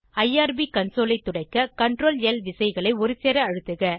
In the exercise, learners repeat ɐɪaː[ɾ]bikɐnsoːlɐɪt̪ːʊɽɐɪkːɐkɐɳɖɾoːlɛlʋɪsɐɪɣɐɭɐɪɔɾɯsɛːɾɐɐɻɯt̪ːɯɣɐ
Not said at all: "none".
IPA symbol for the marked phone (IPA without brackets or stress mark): ɾ